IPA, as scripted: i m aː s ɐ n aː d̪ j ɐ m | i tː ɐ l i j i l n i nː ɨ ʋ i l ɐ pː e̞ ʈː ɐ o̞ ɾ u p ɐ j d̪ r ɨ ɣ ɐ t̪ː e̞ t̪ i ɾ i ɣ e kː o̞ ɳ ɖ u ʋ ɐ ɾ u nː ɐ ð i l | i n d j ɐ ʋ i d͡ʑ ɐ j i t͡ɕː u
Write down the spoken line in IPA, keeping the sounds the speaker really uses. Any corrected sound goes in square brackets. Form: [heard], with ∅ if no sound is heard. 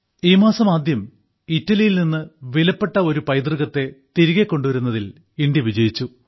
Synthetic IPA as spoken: [iː] m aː s ɐ [m] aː d̪ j ɐ m | i tː ɐ l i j i l n i nː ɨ ʋ i l ɐ pː e̞ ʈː ɐ o̞ ɾ u p ɐ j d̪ r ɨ ɣ ɐ t̪ː e̞ t̪ i ɾ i ɣ e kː o̞ ɳ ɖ u ʋ ɐ ɾ u nː ɐ ð i l | i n d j ɐ ʋ i d͡ʑ ɐ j i t͡ɕː u